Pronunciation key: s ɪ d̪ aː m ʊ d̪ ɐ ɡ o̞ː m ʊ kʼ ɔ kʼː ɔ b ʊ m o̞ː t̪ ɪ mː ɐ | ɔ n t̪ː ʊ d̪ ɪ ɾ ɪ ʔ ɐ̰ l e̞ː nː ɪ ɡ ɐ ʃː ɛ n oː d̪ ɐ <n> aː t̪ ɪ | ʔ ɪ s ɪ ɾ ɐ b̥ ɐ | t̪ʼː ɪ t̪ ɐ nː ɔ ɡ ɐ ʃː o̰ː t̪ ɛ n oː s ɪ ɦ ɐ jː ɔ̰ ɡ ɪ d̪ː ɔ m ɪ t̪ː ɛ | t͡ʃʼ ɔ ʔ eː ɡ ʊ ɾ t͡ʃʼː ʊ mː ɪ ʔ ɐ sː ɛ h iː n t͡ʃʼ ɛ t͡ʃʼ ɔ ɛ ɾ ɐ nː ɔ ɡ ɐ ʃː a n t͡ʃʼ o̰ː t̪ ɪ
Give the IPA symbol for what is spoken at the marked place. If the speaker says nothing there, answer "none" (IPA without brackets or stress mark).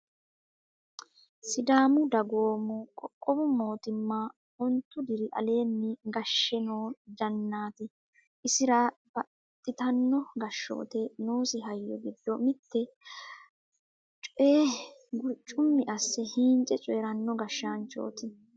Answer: nː